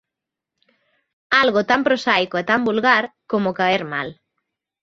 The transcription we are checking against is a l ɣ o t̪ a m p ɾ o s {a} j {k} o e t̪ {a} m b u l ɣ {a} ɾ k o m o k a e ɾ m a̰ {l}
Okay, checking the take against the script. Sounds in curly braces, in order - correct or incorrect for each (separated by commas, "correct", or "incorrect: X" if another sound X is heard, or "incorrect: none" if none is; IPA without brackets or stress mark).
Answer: correct, correct, correct, correct, correct